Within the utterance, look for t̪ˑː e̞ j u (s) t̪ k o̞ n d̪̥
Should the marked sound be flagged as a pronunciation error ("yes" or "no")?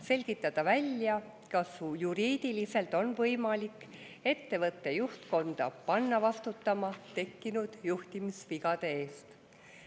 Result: yes